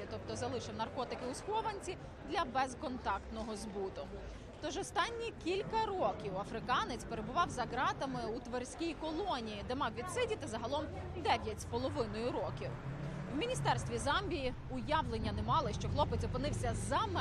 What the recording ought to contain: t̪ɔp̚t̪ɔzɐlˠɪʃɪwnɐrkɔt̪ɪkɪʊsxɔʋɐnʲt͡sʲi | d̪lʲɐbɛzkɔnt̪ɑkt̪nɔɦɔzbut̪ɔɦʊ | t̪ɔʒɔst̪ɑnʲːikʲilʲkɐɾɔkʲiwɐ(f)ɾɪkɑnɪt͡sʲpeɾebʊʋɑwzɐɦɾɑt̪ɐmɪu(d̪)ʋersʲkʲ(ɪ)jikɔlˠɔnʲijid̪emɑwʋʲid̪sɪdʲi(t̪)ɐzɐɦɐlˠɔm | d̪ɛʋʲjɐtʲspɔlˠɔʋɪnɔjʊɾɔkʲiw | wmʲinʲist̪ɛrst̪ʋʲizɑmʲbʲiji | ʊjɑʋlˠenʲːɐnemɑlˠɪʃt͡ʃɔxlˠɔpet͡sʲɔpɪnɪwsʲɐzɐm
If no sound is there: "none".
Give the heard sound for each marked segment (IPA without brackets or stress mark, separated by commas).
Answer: f, t̪, i, t̪